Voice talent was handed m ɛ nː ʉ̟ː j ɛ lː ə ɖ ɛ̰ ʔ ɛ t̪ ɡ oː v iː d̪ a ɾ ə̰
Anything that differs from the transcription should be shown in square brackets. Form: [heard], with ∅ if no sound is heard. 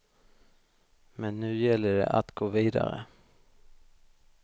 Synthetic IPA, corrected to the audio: m ɛ nː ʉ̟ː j ɛ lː ə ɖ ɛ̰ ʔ [a] t̪ ɡ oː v iː d̪ a ɾ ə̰